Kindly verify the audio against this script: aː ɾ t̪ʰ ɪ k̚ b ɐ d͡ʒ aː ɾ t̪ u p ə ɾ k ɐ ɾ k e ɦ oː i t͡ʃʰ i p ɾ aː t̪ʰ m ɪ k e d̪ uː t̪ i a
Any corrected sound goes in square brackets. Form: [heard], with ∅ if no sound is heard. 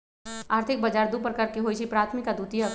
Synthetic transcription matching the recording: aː ɾ t̪ʰ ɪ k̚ b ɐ d͡ʒ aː ɾ [d̪] u p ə ɾ k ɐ ɾ k e ɦ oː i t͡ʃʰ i p ɾ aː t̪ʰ m ɪ k [a] d̪ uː t̪ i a

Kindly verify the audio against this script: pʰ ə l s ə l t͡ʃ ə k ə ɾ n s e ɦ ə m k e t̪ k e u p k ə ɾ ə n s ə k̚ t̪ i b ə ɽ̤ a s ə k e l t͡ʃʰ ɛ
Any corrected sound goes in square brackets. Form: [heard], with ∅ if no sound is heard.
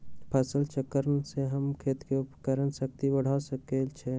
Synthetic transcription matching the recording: pʰ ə [∅] s ə l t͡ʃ ə k ə ɾ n s e ɦ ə m [kʰ] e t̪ k e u p k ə ɾ ə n s ə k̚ t̪ i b ə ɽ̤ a s ə k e l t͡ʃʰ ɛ

